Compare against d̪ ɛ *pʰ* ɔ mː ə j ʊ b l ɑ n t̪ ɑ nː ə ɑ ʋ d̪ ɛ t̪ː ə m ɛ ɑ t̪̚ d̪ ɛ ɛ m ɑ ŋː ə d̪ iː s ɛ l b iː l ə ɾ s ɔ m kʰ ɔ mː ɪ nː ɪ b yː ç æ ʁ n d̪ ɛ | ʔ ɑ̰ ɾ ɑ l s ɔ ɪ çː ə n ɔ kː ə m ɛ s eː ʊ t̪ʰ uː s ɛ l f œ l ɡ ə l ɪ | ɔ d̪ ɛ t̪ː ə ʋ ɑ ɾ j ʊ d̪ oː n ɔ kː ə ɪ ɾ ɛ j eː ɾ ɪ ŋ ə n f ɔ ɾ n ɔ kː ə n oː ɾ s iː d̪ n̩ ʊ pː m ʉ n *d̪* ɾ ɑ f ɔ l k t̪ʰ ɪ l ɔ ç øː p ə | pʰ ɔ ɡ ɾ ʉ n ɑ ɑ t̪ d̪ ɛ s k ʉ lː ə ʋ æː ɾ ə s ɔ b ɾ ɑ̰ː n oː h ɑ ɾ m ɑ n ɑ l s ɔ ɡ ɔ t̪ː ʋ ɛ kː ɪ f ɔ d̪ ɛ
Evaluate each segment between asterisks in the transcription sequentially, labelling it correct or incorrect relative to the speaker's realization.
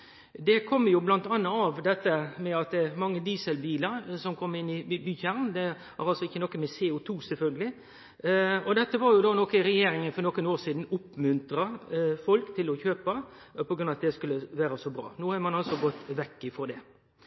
incorrect: kʰ, incorrect: t̪

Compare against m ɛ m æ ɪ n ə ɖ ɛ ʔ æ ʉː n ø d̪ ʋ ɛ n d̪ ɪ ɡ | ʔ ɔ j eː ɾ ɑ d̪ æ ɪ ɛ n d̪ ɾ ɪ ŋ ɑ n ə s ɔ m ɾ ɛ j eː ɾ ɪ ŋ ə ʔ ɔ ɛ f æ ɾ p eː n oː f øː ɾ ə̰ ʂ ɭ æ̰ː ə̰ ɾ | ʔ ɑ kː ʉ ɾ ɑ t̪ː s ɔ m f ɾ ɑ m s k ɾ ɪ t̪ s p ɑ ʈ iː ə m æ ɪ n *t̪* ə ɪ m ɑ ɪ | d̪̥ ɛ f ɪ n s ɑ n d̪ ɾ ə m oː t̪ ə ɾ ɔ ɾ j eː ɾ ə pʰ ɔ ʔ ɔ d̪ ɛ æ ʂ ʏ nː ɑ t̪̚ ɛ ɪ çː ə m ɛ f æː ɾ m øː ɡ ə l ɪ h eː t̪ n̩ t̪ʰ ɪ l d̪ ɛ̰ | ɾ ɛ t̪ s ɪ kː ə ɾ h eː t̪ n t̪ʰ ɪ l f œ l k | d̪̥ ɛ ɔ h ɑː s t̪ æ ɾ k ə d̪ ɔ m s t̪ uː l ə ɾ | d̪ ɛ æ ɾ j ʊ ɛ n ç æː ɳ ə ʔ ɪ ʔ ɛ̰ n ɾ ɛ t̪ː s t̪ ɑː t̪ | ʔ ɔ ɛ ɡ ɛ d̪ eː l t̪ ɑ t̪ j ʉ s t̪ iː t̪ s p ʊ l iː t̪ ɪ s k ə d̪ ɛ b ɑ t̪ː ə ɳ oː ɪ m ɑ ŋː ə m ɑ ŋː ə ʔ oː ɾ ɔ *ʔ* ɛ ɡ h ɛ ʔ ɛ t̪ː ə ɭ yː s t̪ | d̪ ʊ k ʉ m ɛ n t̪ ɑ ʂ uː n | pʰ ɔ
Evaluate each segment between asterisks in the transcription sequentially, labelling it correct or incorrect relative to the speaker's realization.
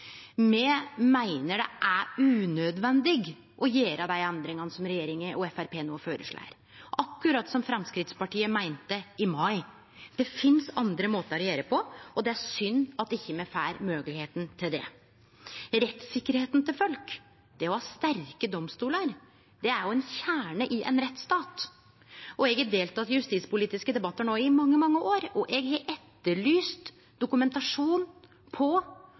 correct, correct

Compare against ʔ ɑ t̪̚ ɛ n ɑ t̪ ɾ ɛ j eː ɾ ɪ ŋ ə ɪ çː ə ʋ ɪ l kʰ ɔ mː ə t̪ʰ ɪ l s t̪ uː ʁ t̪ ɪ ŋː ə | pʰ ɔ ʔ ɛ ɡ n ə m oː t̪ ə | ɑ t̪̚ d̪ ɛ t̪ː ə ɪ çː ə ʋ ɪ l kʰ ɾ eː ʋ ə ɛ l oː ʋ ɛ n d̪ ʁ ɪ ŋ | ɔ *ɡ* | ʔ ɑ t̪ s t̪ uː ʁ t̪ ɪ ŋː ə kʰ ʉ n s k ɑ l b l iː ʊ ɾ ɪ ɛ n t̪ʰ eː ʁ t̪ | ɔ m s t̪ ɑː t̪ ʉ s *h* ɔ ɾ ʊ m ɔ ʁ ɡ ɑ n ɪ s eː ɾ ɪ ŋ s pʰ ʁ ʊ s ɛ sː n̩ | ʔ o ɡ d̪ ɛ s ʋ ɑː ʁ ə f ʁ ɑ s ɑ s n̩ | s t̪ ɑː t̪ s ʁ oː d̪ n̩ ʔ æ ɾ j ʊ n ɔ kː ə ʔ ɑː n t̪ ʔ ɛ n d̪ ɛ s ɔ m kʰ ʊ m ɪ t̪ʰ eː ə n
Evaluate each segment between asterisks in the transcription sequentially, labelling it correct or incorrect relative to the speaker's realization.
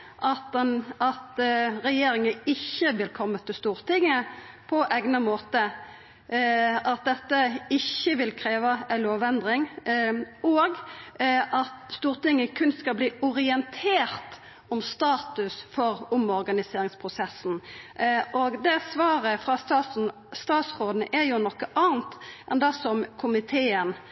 correct, incorrect: f

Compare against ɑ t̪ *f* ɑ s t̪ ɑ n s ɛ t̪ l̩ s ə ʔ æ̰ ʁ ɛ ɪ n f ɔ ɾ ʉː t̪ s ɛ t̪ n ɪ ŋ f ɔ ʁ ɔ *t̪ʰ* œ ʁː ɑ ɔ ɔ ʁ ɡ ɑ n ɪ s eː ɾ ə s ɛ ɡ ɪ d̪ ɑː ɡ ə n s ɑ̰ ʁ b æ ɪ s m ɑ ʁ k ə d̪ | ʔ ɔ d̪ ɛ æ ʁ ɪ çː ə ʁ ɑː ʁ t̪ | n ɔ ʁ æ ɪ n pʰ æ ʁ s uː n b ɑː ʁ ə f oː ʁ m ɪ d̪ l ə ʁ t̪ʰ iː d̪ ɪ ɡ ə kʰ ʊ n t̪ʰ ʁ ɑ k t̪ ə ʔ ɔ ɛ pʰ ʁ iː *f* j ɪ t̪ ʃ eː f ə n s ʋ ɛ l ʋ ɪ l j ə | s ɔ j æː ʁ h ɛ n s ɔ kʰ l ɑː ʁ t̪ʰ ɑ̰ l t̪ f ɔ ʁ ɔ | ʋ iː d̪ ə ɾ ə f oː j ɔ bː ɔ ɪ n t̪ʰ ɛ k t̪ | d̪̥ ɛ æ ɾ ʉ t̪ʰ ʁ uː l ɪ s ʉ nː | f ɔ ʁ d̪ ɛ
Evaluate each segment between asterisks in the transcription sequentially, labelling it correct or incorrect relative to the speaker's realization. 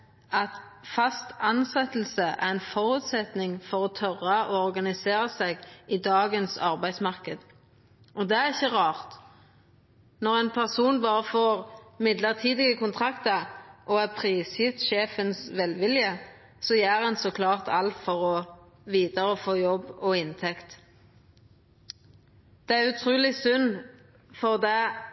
correct, correct, incorrect: s

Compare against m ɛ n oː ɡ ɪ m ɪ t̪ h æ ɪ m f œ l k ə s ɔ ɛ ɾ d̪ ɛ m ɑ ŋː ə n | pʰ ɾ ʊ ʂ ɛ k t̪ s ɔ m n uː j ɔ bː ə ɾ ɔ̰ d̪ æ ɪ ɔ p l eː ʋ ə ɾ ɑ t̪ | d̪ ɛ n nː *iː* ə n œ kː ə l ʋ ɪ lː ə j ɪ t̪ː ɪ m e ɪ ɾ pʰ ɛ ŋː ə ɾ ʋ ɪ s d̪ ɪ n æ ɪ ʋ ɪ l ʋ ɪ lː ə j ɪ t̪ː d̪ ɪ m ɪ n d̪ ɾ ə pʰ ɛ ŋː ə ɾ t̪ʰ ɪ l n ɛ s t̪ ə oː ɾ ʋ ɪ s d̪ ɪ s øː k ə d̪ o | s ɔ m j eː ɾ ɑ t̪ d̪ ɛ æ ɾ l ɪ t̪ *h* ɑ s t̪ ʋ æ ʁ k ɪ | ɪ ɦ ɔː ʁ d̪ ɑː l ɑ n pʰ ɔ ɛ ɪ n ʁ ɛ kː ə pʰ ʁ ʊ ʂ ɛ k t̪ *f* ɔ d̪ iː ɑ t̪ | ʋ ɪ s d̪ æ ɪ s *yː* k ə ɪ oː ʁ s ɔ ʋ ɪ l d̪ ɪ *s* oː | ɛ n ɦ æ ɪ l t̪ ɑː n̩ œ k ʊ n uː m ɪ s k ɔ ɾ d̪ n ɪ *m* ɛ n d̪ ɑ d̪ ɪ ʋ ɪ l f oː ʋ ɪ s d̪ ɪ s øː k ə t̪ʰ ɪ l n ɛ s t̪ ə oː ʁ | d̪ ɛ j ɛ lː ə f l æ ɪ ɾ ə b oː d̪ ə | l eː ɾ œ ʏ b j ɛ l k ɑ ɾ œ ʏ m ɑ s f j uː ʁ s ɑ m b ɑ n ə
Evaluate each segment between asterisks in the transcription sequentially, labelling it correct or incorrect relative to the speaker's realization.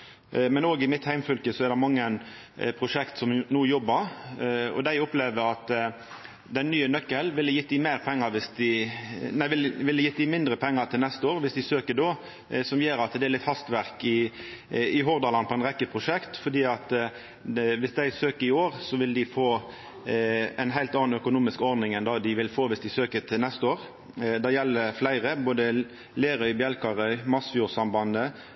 incorrect: yː, correct, correct, incorrect: øː, incorrect: f, incorrect: ŋ

